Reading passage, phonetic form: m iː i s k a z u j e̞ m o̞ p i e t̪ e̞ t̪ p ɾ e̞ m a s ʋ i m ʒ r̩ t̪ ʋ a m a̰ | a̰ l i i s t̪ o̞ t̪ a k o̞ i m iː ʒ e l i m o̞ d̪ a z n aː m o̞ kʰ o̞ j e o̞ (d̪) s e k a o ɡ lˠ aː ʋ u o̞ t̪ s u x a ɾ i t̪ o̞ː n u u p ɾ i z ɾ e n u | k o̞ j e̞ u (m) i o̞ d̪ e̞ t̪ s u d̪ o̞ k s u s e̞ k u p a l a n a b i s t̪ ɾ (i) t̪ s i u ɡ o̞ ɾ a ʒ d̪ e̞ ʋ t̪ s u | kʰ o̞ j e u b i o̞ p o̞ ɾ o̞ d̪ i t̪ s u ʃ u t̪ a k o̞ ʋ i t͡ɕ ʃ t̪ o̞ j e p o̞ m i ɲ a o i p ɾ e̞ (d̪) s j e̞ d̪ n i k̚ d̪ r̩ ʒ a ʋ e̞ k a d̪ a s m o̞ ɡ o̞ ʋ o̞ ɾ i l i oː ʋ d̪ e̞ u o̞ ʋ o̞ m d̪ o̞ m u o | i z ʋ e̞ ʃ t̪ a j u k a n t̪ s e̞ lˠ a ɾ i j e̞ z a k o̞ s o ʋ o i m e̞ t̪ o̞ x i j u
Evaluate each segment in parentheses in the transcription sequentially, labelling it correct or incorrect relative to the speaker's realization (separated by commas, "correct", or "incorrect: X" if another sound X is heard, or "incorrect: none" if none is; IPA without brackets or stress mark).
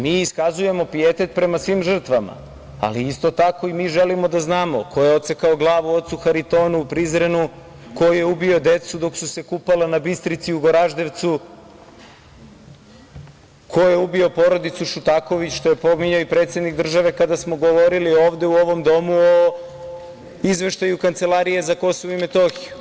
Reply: incorrect: t̪, incorrect: b, correct, incorrect: t̪